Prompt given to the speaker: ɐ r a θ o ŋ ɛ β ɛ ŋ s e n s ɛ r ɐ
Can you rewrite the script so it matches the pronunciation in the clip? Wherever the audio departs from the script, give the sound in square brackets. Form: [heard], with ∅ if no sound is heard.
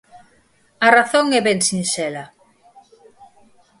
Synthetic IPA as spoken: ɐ r a θ o ŋ ɛ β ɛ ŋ s [i] n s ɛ [l] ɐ